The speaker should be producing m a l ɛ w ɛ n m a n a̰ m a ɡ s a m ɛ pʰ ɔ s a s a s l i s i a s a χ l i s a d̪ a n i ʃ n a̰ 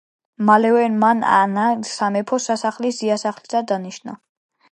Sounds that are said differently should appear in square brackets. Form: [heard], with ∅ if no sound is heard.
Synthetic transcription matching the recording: m a l ɛ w ɛ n m a n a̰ [n] a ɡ s a m ɛ pʰ ɔ s a s a [χ] l i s i a s a χ l i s a d̪ a n i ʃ n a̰